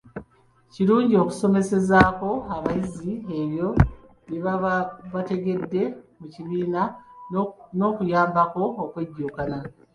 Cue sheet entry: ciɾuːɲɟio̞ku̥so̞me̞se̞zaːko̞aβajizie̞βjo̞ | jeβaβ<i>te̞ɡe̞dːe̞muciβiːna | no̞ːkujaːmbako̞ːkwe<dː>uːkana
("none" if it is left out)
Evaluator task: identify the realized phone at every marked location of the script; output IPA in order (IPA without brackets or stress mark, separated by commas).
a, ɟː